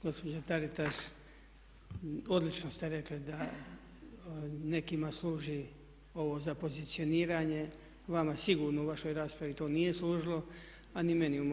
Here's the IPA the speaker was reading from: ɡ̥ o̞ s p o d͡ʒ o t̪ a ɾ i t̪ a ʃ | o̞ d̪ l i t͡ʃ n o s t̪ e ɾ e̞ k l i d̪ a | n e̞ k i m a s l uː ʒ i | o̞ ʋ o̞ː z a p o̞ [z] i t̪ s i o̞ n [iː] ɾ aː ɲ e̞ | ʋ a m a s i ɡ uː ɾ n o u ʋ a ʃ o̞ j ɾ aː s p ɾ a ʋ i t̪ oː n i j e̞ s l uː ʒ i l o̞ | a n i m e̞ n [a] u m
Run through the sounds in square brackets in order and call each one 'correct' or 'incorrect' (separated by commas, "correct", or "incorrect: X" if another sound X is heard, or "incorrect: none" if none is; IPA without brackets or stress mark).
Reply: correct, correct, incorrect: i